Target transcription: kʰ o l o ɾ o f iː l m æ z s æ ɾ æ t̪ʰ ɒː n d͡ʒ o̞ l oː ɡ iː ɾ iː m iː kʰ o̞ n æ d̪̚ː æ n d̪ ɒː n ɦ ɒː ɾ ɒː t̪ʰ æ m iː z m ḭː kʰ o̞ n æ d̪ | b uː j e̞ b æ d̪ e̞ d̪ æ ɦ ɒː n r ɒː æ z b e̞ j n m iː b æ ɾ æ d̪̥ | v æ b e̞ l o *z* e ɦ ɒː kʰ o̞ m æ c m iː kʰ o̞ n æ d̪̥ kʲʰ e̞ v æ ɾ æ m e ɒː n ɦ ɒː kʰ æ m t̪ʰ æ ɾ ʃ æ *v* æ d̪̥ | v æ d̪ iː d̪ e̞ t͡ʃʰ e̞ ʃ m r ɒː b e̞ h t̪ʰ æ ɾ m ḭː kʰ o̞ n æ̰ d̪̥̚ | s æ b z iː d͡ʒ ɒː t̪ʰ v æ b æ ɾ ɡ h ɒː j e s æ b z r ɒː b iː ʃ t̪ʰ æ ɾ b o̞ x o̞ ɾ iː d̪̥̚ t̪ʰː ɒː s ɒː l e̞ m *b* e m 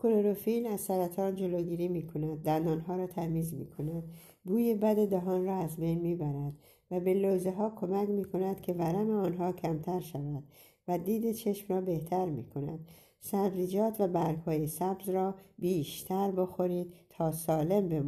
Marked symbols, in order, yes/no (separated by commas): yes, yes, yes